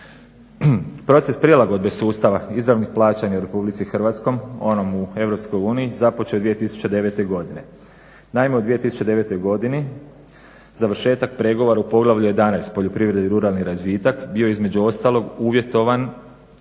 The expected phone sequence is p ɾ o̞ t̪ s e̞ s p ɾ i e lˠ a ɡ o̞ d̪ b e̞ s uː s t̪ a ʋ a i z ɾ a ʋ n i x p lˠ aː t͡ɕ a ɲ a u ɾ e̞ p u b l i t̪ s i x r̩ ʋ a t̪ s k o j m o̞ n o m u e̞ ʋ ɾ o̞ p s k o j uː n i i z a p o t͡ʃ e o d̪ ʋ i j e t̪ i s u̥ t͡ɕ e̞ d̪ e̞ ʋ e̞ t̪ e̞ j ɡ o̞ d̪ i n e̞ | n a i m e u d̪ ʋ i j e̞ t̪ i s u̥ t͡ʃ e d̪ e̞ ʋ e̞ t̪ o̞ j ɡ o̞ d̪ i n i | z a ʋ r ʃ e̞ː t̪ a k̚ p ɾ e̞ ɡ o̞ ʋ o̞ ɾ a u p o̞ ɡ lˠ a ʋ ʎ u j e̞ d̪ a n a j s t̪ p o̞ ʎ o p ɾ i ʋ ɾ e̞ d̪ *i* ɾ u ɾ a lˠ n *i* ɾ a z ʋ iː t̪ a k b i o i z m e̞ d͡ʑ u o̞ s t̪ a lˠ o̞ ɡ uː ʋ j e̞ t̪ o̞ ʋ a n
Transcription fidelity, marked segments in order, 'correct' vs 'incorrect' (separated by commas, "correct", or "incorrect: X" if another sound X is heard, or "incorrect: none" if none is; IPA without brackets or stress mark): correct, correct